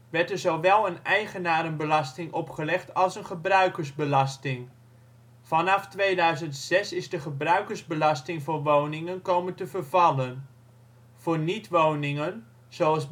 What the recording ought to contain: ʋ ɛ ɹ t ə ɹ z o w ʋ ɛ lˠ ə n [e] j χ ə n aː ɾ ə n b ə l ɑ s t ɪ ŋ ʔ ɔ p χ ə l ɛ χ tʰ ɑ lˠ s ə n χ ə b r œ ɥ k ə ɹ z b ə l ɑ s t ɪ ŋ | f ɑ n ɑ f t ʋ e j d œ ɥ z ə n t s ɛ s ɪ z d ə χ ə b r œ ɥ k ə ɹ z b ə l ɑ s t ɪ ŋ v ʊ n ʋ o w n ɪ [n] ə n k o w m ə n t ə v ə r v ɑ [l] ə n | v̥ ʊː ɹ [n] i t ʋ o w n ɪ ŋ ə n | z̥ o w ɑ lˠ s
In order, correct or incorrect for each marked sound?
incorrect, incorrect, correct, correct

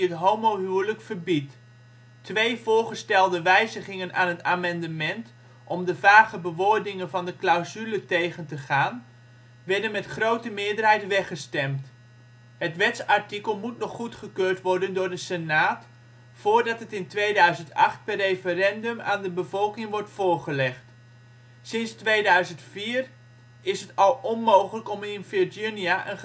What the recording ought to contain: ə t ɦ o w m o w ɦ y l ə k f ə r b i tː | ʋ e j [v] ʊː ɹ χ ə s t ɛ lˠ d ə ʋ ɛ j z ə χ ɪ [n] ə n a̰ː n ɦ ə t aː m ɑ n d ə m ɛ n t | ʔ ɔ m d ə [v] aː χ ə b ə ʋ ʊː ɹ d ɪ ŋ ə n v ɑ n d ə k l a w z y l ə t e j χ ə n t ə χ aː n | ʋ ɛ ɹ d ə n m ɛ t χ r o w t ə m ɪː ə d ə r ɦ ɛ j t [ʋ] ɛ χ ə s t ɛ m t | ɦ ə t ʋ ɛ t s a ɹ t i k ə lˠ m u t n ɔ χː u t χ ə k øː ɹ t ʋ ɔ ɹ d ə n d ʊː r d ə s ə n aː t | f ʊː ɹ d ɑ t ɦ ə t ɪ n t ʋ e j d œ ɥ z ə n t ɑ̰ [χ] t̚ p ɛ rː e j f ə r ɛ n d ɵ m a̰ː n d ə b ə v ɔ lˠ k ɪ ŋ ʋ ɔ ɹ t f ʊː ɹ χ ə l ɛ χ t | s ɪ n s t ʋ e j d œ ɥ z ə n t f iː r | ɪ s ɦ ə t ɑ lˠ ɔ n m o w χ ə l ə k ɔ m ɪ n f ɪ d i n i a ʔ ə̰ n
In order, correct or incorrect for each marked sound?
correct, incorrect, correct, correct, correct

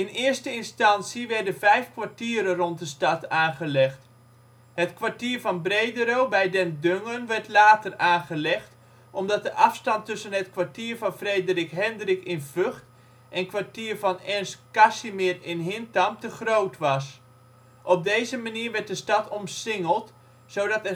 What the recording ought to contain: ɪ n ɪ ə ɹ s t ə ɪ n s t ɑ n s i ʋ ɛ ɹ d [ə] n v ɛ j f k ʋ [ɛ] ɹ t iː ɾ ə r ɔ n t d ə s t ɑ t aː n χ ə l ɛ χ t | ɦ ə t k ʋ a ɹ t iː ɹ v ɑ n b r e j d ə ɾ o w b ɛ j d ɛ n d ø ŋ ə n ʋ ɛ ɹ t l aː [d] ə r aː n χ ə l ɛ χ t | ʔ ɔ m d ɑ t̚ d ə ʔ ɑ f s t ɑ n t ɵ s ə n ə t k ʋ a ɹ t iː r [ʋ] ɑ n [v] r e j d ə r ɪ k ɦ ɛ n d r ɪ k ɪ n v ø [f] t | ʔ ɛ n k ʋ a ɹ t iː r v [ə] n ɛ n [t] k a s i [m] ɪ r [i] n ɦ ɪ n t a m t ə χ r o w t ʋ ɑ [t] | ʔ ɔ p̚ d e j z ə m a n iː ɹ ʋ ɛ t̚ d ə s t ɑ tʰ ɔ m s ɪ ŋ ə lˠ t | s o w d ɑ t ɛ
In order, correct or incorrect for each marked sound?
correct, incorrect, incorrect, incorrect, incorrect, incorrect, incorrect, incorrect, correct, incorrect, incorrect

